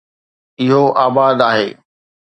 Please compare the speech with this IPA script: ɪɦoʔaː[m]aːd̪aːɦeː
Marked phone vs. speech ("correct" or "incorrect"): incorrect